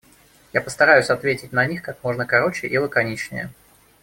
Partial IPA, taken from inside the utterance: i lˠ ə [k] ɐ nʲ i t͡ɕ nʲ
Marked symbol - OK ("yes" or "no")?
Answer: yes